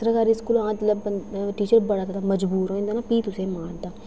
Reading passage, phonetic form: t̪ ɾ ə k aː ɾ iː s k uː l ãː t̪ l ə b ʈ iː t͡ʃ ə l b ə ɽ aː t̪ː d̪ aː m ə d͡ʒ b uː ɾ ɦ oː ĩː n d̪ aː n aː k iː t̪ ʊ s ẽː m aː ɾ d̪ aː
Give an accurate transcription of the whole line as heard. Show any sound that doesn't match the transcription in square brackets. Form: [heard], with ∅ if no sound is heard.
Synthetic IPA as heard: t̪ ɾ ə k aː ɾ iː s k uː l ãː t̪ l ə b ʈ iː t͡ʃ ə [ɾ] b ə ɽ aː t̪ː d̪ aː m ə d͡ʒ b uː ɾ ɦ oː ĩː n d̪ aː n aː [p] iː t̪ ʊ s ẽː m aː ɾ d̪ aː